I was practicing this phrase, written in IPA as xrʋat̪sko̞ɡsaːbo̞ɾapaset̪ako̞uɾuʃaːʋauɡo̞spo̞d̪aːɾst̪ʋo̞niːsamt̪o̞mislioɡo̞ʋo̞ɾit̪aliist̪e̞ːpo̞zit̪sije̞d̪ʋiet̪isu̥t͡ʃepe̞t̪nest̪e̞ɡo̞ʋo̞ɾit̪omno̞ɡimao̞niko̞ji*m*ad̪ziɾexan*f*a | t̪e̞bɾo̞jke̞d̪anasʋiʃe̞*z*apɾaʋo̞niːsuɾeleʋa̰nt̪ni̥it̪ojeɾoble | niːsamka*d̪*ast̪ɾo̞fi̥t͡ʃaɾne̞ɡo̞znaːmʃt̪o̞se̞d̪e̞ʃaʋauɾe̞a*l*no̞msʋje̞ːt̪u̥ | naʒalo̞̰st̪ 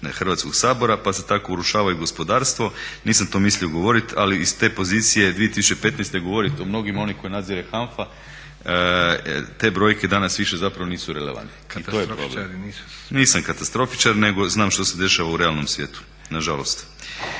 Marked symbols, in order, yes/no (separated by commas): no, yes, yes, no, yes